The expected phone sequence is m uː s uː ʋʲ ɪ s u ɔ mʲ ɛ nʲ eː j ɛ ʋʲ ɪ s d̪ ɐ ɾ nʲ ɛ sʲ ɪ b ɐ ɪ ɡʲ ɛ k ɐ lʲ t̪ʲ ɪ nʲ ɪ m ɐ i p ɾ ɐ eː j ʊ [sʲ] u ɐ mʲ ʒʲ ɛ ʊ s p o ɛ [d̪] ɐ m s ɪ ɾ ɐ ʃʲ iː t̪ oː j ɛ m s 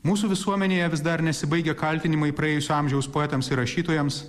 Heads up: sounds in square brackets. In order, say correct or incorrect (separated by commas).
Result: correct, incorrect